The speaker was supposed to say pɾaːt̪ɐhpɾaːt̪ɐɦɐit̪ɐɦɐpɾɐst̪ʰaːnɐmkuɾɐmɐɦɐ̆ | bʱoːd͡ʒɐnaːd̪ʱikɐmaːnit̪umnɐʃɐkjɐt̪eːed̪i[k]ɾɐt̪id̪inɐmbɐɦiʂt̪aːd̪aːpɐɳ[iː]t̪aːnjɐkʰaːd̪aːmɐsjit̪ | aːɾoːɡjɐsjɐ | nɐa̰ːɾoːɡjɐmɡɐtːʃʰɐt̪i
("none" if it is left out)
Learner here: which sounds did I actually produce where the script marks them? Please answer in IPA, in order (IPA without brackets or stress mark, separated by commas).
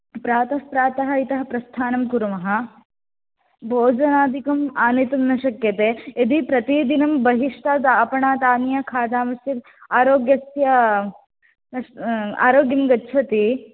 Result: p, aː